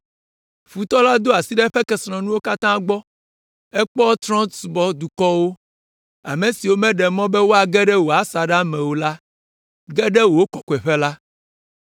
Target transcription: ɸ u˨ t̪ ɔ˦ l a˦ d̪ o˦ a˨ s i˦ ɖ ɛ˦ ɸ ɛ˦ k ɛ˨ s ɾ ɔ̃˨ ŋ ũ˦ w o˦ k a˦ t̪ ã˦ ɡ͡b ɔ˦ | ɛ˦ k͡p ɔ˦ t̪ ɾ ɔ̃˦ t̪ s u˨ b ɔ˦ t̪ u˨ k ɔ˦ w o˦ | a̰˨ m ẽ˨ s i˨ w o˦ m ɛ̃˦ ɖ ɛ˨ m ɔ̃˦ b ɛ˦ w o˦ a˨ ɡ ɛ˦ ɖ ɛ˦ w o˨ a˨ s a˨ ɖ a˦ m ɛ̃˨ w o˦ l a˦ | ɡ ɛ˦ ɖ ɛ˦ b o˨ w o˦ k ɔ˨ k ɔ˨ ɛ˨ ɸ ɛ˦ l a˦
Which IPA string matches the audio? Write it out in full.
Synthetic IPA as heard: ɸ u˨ t̪ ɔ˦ l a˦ d̪ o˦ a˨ s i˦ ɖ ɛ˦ ɸ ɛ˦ k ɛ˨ s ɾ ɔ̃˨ n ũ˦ w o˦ k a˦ t̪ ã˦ ɡ͡b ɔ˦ | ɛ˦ k͡p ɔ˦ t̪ ɾ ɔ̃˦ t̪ s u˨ b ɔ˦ d̪ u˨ k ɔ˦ w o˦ | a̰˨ m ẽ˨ s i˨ w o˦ m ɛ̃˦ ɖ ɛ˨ m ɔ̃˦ b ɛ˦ w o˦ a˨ ɡ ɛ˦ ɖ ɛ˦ w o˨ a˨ s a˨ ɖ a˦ m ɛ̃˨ w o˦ l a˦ | ɡ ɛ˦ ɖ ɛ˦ w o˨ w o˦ k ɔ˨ k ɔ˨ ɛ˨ ɸ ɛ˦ l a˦